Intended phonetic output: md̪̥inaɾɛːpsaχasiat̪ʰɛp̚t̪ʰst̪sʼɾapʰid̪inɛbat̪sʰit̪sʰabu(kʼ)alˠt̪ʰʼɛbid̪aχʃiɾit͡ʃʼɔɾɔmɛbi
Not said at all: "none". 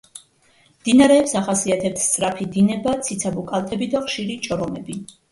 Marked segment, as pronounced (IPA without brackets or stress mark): kʼ